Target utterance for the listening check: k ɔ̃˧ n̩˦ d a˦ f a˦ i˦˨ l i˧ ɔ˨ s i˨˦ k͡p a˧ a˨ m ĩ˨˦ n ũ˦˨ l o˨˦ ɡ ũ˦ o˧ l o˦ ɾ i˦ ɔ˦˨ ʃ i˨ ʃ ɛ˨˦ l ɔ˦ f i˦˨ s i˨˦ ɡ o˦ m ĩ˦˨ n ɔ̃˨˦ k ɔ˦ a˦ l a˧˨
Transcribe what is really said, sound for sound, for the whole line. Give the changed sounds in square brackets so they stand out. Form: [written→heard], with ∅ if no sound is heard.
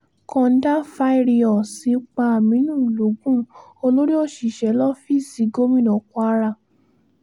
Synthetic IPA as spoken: k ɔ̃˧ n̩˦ d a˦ f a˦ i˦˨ [l→ɾ] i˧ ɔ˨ s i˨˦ k͡p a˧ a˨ m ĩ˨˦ n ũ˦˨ l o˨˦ ɡ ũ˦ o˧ l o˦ ɾ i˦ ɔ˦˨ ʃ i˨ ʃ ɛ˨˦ l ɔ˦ f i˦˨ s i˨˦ ɡ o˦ m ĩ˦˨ n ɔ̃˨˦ k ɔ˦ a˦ [l→ɾ] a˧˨